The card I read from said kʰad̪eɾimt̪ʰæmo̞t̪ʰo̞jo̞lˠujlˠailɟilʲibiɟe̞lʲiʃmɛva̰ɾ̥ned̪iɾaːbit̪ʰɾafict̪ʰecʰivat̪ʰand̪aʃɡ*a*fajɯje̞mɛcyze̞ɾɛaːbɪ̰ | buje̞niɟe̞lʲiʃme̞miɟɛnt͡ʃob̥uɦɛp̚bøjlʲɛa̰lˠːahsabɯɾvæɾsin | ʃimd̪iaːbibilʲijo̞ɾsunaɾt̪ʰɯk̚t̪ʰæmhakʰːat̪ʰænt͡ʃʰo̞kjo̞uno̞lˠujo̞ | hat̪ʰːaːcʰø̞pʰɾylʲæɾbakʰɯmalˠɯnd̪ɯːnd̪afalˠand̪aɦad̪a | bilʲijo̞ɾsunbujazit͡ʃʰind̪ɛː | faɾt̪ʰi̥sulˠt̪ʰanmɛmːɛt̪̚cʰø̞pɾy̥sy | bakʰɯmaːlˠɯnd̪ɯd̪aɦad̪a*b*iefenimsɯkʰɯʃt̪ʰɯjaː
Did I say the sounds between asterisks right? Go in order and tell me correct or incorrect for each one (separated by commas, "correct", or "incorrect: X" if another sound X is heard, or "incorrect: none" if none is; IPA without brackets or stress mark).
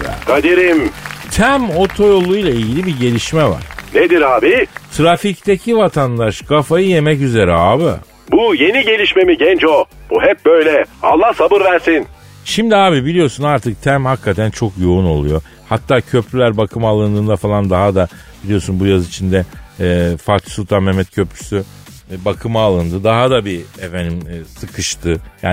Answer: correct, correct